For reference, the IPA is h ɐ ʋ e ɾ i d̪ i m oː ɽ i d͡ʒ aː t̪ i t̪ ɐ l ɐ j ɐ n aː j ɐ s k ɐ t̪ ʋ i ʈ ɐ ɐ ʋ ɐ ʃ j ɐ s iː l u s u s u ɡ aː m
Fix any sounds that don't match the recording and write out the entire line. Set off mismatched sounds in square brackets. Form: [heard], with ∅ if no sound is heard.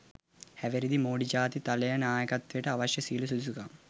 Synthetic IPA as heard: h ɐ ʋ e ɾ i d̪ i m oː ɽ i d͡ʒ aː t̪ i t̪ ɐ l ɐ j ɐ n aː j ɐ [∅] k ɐ t̪ ʋ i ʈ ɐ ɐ ʋ ɐ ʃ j ɐ s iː l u s u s u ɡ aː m